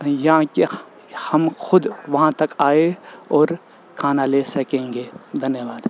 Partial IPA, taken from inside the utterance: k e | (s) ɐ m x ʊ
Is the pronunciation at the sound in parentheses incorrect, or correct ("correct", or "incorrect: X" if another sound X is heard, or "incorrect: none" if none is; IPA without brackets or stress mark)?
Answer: incorrect: h